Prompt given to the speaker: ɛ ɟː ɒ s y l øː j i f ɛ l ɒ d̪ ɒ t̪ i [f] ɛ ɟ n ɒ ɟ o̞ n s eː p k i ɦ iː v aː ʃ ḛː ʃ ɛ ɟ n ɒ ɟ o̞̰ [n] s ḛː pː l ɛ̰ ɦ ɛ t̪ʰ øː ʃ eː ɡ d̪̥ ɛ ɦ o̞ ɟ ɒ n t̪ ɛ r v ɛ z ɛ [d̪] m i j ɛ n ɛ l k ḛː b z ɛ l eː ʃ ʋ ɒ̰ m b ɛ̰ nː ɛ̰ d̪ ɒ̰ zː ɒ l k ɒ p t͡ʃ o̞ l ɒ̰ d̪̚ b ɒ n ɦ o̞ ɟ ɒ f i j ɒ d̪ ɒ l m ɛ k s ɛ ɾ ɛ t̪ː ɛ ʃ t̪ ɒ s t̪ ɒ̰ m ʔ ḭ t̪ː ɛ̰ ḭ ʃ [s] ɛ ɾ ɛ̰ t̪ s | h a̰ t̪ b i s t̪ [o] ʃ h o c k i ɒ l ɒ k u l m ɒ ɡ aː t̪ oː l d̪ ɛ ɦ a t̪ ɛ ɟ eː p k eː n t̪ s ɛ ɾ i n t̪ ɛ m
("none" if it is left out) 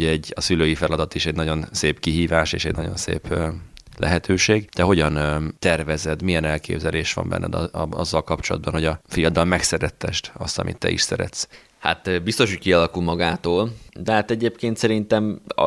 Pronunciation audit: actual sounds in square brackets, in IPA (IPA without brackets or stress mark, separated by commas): ʃ, n, d̪, s, o